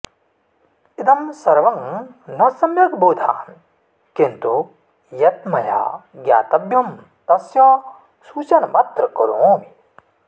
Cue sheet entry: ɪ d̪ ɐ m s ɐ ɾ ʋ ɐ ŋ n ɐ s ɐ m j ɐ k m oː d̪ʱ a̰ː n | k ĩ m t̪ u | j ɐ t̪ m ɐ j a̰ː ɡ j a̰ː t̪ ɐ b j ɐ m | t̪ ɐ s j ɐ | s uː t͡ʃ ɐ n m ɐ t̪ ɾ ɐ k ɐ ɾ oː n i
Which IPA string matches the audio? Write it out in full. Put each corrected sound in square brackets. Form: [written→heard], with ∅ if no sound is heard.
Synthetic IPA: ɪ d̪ ɐ m s ɐ ɾ ʋ ɐ ŋ n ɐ s ɐ m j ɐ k [m→b] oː d̪ʱ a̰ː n | k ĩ [m→n] t̪ u | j ɐ t̪ m ɐ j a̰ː ɡ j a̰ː t̪ ɐ b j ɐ m | t̪ ɐ s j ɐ | s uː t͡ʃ ɐ n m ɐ t̪ ɾ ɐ k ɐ ɾ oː [n→m] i